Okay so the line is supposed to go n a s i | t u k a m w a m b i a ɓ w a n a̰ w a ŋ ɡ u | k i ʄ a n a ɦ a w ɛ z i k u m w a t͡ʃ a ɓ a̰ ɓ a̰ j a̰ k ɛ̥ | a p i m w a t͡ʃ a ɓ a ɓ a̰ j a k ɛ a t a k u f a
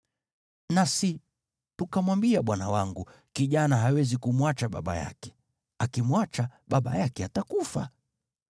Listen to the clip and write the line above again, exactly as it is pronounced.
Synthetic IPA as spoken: n a s i | t u k a m w a m b i a ɓ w a n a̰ w a ŋ ɡ u | k i ʄ a n a ɦ a w ɛ z i k u m w a t͡ʃ a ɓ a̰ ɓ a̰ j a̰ k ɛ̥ | a k i m w a t͡ʃ a ɓ a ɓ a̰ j a k ɛ a t a k u f a